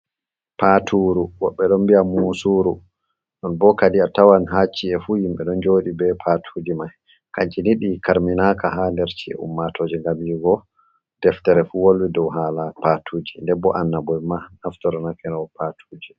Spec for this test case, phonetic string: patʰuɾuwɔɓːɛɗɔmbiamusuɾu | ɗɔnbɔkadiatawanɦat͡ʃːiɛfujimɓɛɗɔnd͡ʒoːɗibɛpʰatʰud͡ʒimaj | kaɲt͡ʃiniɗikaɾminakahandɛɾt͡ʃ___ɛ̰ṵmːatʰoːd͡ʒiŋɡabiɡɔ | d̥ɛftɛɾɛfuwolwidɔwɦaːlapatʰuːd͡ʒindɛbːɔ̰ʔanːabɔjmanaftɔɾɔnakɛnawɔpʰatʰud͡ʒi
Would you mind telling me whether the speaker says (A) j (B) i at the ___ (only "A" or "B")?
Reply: B